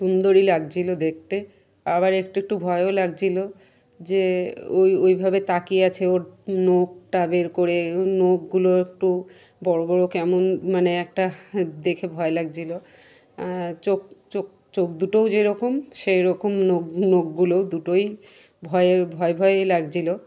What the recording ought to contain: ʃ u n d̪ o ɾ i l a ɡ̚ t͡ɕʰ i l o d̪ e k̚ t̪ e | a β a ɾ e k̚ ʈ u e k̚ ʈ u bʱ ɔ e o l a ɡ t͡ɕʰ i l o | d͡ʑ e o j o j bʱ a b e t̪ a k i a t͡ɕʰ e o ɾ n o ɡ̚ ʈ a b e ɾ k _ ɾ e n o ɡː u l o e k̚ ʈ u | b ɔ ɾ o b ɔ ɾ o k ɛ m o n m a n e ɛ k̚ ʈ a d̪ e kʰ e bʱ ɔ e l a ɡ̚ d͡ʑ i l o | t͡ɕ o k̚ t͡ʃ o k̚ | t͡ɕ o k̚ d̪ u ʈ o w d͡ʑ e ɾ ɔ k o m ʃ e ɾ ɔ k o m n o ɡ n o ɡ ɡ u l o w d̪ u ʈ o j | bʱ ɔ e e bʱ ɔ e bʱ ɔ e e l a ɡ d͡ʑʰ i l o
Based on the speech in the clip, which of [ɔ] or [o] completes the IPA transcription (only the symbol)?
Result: o